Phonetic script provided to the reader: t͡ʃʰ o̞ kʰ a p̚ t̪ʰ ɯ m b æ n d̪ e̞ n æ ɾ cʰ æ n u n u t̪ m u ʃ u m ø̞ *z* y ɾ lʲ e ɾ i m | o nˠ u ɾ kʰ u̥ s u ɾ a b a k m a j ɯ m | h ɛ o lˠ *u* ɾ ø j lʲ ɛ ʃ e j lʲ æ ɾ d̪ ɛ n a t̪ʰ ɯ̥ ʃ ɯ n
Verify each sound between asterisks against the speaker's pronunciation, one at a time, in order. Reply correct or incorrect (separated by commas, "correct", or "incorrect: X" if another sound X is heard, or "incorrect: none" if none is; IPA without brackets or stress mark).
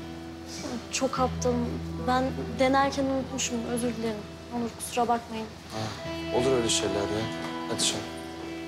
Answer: correct, correct